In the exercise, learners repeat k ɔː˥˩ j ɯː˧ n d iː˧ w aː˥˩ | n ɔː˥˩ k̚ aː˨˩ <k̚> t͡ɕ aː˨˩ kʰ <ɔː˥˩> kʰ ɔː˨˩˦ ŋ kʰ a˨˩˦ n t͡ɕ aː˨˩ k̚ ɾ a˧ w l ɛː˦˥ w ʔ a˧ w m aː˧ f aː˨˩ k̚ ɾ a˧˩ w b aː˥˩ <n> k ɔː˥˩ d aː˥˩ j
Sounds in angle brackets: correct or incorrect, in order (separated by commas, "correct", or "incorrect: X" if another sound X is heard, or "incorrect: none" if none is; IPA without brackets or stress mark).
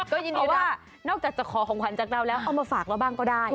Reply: correct, incorrect: ɔː˩˦, incorrect: ŋ